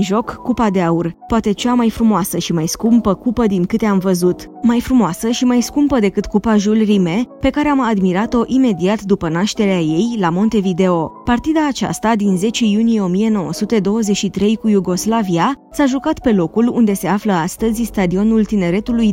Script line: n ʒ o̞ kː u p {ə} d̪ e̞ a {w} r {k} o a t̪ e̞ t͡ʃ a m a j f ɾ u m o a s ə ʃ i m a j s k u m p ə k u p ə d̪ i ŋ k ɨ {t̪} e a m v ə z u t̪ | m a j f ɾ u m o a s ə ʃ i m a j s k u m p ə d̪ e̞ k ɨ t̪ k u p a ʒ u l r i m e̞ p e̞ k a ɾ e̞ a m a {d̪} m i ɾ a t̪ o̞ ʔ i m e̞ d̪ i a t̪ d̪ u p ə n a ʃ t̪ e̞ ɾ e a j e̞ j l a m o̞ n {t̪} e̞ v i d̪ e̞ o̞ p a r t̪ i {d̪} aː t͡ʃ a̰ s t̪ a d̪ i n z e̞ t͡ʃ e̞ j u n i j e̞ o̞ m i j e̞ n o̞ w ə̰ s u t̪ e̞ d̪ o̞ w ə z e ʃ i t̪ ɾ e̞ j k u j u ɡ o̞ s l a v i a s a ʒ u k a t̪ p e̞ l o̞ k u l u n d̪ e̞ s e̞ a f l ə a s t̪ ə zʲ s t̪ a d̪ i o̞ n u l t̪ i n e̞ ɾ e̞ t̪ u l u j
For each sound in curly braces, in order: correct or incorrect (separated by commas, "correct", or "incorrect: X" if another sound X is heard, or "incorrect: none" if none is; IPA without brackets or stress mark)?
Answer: incorrect: a, incorrect: u, incorrect: p, correct, correct, correct, correct